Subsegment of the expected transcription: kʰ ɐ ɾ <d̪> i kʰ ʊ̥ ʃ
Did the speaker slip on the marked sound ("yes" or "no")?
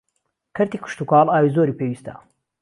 yes